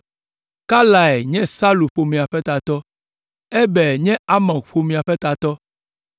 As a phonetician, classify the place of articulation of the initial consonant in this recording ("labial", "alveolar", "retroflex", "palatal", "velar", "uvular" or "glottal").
velar